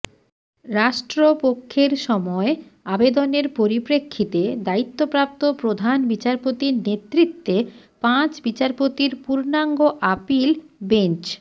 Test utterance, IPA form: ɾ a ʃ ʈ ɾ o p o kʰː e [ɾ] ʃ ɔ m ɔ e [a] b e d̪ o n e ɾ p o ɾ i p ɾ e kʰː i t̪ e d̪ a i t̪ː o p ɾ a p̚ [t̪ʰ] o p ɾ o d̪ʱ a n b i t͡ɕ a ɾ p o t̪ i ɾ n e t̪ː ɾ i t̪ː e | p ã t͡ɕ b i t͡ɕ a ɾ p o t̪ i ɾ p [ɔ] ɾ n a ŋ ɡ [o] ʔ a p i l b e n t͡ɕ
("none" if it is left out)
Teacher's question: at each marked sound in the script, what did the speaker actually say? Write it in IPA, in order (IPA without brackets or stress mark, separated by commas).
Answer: ɾ, a, t̪, u, o